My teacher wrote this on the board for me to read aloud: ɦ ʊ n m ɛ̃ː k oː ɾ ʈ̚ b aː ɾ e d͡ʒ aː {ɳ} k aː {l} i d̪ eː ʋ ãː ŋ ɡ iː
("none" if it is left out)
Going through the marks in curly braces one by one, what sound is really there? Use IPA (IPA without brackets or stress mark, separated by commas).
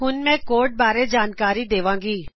n, ɾ